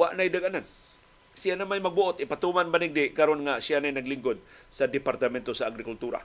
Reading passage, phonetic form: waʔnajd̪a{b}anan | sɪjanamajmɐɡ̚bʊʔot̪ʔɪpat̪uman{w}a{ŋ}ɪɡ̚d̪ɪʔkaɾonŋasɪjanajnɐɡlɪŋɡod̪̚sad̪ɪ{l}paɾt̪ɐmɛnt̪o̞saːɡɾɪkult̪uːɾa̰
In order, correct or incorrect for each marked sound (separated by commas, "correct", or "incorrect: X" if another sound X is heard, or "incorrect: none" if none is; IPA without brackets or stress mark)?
incorrect: ɡ, incorrect: b, incorrect: n, incorrect: none